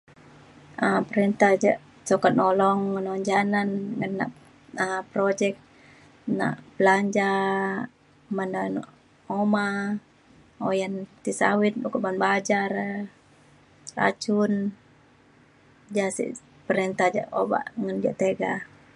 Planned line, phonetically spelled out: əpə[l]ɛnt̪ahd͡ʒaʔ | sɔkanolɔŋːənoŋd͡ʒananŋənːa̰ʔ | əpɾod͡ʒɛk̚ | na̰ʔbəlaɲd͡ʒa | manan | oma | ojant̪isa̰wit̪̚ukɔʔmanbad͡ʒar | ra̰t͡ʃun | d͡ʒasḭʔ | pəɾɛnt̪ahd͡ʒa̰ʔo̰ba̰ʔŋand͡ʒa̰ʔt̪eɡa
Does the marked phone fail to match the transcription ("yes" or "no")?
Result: yes